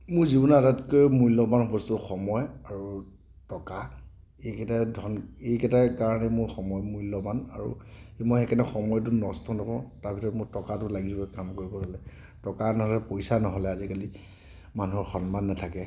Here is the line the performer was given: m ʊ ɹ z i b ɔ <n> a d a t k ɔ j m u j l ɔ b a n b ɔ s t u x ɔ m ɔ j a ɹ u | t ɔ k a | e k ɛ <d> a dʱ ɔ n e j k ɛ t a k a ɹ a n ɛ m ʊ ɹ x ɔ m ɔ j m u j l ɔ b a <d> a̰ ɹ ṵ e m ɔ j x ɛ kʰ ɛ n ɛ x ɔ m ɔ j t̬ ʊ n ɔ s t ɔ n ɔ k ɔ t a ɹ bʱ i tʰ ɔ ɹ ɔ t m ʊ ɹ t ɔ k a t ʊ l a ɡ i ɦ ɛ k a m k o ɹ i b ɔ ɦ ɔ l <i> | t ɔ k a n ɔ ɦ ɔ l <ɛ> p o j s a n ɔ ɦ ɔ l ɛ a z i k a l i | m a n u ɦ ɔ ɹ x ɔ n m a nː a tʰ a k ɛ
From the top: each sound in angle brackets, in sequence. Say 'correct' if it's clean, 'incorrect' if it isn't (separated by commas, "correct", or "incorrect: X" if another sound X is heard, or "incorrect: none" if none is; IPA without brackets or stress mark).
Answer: correct, incorrect: t, incorrect: n, incorrect: ɛ, correct